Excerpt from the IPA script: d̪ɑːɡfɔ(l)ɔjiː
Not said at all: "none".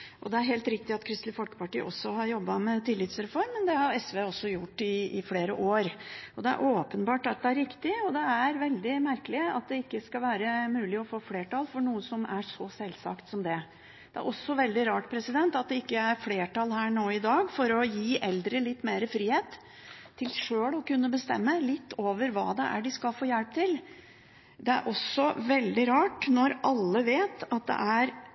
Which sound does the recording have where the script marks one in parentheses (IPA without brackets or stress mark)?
ɾ